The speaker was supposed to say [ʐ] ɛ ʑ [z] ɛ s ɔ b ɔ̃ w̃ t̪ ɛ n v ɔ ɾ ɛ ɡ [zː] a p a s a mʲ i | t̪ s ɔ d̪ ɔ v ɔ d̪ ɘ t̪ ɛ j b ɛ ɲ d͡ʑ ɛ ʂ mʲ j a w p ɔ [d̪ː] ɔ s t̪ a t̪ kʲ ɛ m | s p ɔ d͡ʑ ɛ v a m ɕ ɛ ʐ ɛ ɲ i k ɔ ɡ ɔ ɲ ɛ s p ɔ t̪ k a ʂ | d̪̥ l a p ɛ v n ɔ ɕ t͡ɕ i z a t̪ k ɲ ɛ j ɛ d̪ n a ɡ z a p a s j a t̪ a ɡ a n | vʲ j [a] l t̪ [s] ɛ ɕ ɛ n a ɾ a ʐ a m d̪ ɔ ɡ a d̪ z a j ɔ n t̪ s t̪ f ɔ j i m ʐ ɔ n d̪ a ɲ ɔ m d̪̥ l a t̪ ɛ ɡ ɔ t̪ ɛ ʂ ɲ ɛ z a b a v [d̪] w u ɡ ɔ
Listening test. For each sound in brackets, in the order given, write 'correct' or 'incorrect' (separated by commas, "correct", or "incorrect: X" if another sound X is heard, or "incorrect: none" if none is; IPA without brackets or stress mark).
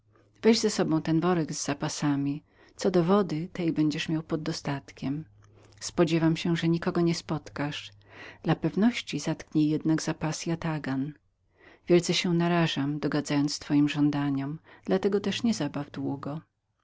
incorrect: v, correct, correct, correct, incorrect: ɛ, correct, correct